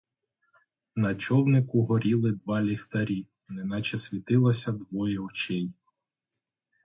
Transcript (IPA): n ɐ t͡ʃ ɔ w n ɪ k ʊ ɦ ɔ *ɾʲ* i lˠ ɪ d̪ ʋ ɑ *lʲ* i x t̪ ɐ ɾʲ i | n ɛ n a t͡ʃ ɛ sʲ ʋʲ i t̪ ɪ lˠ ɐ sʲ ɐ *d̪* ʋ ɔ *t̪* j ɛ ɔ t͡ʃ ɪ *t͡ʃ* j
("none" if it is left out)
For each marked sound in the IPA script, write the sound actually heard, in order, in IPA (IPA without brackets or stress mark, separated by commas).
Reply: ɾʲ, lʲ, d̪, none, none